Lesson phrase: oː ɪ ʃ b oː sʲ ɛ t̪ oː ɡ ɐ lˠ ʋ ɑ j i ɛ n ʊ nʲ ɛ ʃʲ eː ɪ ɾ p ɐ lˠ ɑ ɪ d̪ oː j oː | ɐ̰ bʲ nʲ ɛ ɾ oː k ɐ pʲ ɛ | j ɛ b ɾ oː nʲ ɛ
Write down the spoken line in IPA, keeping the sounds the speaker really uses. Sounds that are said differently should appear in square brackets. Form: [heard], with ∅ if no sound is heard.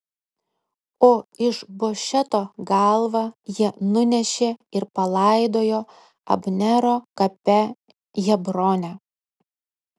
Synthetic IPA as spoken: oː ɪ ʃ b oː [ʃʲ] ɛ t̪ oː ɡ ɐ lˠ ʋ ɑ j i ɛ n ʊ nʲ ɛ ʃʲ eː ɪ ɾ p ɐ lˠ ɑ ɪ d̪ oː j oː | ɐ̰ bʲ nʲ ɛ ɾ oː k ɐ pʲ ɛ | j ɛ b ɾ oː nʲ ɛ